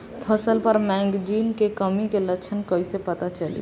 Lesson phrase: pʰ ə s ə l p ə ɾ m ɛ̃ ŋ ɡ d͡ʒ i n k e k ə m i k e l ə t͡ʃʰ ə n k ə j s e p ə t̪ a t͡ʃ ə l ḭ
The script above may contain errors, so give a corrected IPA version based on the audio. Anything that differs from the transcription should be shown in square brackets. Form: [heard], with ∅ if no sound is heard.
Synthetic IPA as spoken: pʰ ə s ə l p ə ɾ m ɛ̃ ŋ ɡ d͡ʒ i n k e k ə m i k e l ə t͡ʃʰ ə n k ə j s e p ə t̪ a t͡ʃ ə l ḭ